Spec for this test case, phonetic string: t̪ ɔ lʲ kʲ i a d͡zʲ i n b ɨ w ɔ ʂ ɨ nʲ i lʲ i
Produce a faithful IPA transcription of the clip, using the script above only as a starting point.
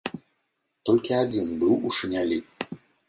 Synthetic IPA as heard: t̪ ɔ lʲ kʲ i a d͡zʲ i n b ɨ w u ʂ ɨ nʲ a lʲ i